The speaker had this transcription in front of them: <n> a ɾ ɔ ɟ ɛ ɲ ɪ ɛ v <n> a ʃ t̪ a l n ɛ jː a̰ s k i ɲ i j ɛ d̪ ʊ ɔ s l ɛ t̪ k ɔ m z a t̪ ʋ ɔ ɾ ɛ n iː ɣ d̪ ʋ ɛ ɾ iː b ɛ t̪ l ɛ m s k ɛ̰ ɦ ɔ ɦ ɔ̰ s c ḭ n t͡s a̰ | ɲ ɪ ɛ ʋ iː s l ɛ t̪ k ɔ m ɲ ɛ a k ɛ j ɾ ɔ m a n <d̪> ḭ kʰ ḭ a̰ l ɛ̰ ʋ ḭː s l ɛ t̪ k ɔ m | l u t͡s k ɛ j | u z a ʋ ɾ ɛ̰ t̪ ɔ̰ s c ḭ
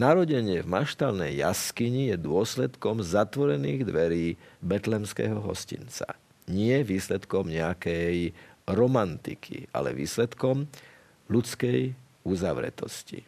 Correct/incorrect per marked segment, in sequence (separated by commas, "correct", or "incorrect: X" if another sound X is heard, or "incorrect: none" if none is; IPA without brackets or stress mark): correct, incorrect: m, incorrect: t̪